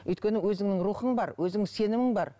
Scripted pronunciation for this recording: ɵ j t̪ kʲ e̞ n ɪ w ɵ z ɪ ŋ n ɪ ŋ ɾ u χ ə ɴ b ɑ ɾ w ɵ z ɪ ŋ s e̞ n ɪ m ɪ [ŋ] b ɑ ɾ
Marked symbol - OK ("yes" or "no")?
yes